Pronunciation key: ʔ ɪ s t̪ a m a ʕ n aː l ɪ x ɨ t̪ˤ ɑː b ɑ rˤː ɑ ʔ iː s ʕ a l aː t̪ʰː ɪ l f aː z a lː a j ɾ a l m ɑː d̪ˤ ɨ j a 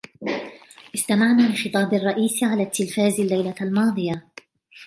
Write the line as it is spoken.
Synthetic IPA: ʔ ɪ s t̪ a m a ʕ n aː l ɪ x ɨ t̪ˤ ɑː b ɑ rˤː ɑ ʔ iː s ʕ a l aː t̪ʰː ɪ l f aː z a lː a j l a l m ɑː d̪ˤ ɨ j a